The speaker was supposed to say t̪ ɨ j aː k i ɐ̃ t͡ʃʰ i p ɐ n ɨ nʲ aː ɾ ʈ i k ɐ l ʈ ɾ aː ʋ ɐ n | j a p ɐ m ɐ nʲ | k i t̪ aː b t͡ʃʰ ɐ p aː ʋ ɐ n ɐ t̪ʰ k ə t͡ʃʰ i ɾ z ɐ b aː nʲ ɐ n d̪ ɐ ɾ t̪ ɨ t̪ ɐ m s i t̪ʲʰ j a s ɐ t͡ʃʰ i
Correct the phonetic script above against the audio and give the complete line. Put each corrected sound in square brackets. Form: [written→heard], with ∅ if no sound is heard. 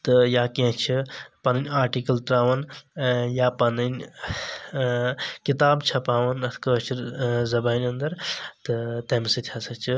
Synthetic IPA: t̪ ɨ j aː k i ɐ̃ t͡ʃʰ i p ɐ n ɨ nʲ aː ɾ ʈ i k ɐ l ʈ ɾ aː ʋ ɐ n | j a p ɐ [m→n] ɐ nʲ | k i t̪ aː b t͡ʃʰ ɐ p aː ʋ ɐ n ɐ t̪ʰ k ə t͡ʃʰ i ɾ z ɐ b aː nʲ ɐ n d̪ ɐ ɾ t̪ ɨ t̪ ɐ m s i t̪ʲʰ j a s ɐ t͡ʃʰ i

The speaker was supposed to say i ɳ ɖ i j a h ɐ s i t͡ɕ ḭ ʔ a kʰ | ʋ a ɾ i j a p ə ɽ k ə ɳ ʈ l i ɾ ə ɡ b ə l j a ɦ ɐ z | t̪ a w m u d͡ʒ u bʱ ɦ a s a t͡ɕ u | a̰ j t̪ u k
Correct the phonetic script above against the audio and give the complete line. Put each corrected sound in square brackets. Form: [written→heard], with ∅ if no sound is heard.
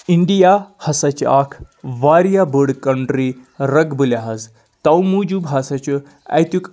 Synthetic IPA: i ɳ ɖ i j a h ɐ s [i→a] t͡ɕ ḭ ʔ a kʰ | ʋ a ɾ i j a [p→b] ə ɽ k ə ɳ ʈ [l→ɾ] i ɾ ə ɡ b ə l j a ɦ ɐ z | t̪ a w m u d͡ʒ u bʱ ɦ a s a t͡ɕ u | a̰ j t̪ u k

